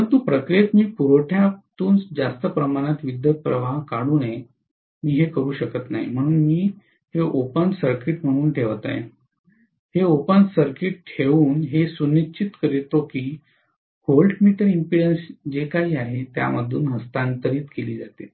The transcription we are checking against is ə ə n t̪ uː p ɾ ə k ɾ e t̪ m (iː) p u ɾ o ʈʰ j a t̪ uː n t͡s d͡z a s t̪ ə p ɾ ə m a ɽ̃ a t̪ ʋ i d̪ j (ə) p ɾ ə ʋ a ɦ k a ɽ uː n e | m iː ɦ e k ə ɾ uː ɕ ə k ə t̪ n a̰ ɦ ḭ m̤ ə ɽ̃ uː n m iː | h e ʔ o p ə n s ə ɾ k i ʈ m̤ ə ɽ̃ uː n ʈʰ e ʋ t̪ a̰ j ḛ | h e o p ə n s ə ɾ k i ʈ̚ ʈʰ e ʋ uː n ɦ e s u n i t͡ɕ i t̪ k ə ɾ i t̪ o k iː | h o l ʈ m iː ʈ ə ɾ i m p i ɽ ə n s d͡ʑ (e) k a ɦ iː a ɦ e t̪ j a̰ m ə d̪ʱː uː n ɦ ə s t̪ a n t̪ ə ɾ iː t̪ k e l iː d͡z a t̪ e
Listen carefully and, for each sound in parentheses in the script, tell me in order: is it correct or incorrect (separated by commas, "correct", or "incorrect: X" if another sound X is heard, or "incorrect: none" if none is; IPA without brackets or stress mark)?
correct, correct, correct